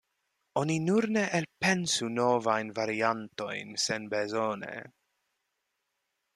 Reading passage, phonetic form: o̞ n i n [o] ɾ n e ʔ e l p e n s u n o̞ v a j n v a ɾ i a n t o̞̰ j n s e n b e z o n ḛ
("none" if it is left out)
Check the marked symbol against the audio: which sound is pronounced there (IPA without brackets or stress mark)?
u